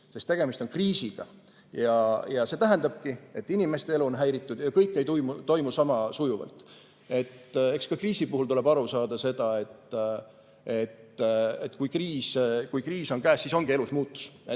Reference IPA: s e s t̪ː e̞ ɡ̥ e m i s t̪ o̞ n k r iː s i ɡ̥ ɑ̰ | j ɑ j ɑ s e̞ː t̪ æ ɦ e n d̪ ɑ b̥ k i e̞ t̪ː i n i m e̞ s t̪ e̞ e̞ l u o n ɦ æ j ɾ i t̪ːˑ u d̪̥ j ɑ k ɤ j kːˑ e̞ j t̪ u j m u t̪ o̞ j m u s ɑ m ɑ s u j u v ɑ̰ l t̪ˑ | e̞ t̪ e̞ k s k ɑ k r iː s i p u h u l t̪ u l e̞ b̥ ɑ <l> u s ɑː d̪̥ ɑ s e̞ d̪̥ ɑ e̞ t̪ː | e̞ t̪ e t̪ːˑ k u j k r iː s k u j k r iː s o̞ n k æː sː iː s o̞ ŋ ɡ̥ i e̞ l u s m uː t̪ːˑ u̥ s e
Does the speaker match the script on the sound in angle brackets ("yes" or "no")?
no